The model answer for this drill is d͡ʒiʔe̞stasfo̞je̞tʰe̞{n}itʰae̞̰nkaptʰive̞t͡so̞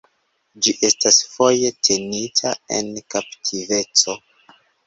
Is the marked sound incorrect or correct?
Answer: correct